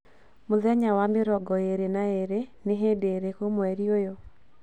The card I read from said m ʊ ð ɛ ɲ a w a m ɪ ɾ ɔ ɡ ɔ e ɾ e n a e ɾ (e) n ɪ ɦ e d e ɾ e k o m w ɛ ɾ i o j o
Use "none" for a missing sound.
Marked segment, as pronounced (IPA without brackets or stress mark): e